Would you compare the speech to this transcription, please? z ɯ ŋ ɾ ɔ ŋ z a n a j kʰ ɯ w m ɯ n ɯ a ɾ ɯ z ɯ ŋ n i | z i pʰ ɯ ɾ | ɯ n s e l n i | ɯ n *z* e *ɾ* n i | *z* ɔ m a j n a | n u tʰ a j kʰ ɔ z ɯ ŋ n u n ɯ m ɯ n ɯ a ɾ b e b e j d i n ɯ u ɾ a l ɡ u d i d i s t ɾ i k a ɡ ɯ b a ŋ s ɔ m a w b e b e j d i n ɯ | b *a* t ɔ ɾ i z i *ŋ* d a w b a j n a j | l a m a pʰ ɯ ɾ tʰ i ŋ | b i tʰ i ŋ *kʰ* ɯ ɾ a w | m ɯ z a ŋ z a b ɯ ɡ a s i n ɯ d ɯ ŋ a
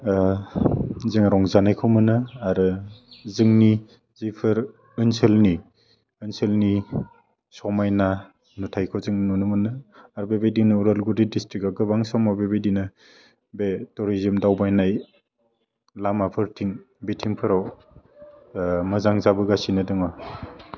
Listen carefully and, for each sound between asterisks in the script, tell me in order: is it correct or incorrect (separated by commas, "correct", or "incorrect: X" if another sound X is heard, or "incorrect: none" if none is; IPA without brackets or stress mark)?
incorrect: s, incorrect: l, incorrect: s, incorrect: e, incorrect: m, incorrect: pʰ